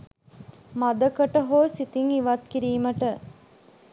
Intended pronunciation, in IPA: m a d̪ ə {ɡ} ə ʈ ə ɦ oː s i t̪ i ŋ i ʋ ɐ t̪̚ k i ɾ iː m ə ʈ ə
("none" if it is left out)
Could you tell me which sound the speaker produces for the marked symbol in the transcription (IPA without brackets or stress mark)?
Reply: k